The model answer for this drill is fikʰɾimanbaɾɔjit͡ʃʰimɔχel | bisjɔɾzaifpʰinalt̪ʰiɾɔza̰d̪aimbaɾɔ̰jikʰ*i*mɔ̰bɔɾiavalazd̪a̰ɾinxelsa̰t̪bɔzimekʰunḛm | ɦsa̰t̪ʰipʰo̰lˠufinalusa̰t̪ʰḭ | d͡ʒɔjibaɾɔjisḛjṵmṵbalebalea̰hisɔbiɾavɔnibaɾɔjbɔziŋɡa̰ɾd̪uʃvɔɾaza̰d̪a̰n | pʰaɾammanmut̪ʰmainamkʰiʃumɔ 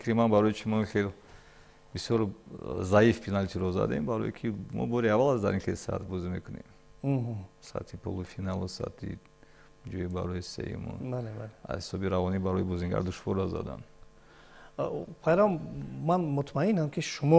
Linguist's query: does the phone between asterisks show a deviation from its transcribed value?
no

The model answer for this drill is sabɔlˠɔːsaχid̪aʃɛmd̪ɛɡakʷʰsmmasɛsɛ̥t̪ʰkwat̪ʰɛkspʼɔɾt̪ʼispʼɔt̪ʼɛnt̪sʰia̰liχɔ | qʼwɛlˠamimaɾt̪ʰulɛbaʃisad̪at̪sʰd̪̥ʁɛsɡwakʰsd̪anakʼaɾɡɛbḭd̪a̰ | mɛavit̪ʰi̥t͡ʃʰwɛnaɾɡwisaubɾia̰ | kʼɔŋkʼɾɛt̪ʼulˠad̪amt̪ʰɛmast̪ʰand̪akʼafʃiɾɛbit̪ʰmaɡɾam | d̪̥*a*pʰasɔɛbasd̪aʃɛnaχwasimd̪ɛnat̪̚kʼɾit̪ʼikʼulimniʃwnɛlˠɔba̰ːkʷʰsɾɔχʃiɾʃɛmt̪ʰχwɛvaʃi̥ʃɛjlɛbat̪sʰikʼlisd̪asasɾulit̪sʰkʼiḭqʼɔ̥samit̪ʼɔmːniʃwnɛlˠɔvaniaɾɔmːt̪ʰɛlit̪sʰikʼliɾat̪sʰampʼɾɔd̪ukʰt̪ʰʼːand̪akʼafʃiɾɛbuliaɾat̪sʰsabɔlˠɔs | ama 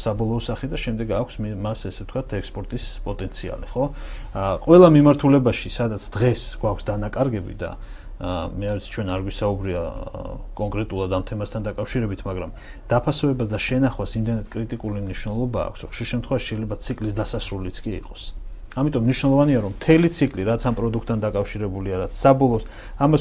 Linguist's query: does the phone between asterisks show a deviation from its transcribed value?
no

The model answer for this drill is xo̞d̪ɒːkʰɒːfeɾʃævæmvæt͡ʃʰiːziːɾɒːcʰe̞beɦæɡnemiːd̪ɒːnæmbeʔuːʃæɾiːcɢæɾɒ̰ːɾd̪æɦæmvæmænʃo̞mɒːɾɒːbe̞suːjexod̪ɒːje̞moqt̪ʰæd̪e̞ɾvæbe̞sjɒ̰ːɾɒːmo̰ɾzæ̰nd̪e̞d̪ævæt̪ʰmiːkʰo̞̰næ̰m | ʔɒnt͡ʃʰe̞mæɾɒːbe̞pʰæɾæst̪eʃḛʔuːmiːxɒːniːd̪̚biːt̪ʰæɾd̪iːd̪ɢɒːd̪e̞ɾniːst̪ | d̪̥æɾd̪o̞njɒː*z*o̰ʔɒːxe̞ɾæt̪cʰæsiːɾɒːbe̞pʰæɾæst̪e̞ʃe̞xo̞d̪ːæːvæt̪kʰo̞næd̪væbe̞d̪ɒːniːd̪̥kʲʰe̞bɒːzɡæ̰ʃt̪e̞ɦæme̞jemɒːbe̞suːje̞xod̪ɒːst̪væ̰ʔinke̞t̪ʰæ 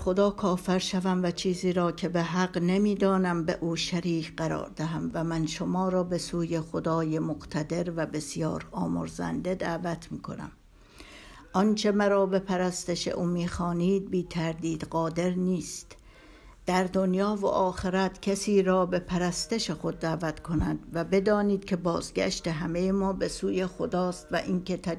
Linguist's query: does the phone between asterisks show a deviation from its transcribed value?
yes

